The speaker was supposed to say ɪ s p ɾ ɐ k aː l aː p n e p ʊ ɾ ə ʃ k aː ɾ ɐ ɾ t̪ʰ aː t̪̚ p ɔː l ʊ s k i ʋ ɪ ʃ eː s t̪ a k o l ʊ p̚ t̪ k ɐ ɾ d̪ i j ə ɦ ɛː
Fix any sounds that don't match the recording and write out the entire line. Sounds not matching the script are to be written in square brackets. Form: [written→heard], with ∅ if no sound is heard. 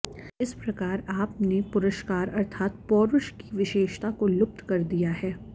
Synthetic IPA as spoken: ɪ s p ɾ ɐ k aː [l→ɾ] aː p n e p ʊ ɾ ə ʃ k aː ɾ ɐ ɾ t̪ʰ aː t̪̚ p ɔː [l→ɾ] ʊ [s→ʃ] k i ʋ ɪ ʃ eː [s→ʃ] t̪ a k o l ʊ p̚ t̪ k ɐ ɾ d̪ i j [ə→a] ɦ ɛː